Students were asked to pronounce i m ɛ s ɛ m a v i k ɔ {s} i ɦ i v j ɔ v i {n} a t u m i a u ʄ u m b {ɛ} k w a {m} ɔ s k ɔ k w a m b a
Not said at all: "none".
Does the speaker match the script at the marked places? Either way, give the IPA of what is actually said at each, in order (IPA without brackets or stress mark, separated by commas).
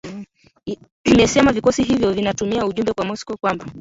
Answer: s, n, ɛ, m